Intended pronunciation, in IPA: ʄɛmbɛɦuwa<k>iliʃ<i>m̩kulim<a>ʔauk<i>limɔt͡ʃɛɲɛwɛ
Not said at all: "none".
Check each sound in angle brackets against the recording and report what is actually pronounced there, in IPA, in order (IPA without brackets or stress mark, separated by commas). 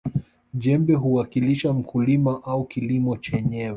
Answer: k, a, a, i